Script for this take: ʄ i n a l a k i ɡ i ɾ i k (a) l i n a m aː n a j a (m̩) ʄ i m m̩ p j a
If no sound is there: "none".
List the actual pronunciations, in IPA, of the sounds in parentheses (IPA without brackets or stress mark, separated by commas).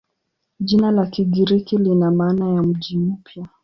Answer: i, m̩